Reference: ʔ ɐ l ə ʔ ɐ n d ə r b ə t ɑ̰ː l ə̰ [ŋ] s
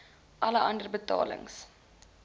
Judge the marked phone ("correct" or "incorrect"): correct